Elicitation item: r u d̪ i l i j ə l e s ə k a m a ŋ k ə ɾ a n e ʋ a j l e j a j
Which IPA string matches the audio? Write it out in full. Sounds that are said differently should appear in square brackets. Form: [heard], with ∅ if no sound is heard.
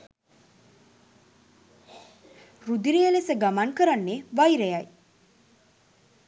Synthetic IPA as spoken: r u d̪ i [ɾ] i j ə l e s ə [ɡ] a m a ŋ k ə ɾ a [nː] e ʋ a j [ɾ] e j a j